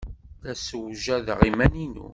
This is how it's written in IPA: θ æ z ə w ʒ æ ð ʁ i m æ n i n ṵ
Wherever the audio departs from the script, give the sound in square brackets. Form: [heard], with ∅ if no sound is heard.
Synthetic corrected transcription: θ æ [s] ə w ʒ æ ð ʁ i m æ n i n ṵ

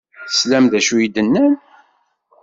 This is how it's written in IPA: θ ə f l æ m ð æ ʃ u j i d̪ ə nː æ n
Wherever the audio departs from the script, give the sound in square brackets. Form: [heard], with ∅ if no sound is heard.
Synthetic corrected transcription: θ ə [s] l æ m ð æ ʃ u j i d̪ ə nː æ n

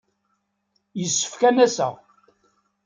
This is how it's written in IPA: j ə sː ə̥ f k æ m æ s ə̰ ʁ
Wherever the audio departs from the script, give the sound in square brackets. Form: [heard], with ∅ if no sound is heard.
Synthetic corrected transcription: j ə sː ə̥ f k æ [n] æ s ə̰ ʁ

